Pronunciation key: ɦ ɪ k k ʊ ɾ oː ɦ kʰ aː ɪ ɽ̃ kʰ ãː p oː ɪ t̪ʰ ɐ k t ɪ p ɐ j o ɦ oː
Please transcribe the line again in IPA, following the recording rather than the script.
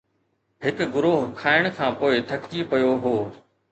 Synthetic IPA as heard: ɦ ɪ k ɡ ʊ ɾ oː ɦ kʰ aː ɪ ɽ̃ kʰ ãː p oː ɪ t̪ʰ ɐ k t i p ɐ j o ɦ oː